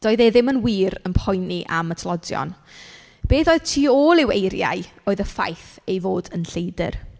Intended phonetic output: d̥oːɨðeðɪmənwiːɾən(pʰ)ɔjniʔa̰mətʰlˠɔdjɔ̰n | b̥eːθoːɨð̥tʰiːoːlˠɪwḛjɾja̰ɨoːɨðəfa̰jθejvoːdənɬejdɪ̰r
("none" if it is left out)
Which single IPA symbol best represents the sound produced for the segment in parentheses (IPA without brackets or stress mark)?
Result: pʰ